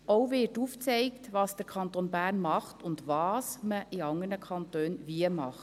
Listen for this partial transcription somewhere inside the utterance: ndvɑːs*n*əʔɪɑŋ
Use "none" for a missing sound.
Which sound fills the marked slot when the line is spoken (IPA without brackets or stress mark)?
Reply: m